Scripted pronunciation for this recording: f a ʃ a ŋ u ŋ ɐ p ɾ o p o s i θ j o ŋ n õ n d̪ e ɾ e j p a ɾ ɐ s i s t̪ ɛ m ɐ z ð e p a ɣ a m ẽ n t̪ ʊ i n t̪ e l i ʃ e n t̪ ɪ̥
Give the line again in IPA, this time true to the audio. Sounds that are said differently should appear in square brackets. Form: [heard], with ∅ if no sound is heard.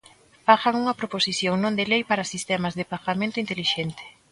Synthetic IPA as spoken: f a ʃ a ŋ u ŋ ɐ p ɾ o p o s i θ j o ŋ n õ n d̪ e [l] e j p a ɾ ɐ s i s t̪ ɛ m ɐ z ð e p a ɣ a m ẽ n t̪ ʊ i n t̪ e l i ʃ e n t̪ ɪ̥